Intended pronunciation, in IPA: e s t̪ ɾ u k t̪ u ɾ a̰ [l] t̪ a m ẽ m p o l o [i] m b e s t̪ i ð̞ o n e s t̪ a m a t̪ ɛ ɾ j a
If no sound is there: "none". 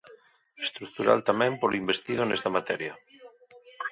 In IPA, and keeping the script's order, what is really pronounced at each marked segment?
l, i

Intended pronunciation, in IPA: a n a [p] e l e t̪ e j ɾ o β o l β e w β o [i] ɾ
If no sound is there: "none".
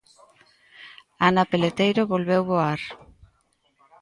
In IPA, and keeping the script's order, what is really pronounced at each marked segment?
p, a

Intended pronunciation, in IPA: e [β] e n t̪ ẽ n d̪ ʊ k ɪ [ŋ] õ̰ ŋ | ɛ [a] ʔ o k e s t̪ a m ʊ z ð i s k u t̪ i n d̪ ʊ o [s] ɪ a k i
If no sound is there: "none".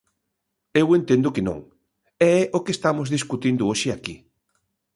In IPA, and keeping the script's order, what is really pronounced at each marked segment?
w, n, ɛ, ʃ

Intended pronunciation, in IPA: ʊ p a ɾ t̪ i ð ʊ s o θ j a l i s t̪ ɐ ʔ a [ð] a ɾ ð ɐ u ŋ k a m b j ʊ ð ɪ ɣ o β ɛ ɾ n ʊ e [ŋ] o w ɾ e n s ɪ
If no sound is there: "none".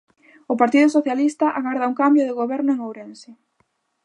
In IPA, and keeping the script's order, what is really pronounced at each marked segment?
ɣ, ŋ

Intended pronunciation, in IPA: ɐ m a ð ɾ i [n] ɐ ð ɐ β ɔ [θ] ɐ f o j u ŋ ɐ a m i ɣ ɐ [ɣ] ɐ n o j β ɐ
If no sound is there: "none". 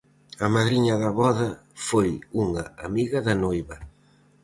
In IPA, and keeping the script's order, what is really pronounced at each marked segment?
ɲ, ð, ð

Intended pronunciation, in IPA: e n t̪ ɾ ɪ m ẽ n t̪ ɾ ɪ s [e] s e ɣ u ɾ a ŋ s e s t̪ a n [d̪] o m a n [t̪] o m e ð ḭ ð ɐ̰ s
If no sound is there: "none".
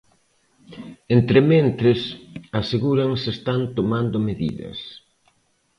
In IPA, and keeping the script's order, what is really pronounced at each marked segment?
a, t̪, d̪

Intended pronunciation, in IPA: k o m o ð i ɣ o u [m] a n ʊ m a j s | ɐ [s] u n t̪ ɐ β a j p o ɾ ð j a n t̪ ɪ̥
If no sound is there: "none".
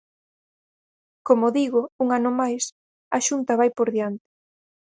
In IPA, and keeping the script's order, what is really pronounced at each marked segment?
ŋ, ʃ

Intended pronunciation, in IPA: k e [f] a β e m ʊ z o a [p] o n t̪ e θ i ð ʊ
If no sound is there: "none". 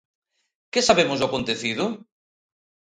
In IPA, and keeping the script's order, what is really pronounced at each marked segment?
s, k

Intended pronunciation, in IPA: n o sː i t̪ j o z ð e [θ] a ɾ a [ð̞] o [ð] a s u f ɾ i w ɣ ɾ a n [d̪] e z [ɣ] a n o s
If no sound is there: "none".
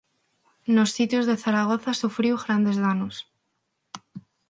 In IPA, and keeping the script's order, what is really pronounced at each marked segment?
θ, ɣ̞, θ, d̪, ð

